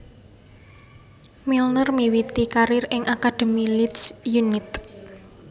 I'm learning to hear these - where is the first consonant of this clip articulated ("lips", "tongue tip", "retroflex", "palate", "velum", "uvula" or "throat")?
lips